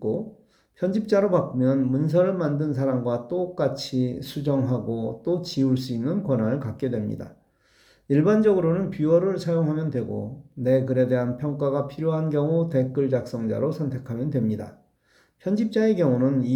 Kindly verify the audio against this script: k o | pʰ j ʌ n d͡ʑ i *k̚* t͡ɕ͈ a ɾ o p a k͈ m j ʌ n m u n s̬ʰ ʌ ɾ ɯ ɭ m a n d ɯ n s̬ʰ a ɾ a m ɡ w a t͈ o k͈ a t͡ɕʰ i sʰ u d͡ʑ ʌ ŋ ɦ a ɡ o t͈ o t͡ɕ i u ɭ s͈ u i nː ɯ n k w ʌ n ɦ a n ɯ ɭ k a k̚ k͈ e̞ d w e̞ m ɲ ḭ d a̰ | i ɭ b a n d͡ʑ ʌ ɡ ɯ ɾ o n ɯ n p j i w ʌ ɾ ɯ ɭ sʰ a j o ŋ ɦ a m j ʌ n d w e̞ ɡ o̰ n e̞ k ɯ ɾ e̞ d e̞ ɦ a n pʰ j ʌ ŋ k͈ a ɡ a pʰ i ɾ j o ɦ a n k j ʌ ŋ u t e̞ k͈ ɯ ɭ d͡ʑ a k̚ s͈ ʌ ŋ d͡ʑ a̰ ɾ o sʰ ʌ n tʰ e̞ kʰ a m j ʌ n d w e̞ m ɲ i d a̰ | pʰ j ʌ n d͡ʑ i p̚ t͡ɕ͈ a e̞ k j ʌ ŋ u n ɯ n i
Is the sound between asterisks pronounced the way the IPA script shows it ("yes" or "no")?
no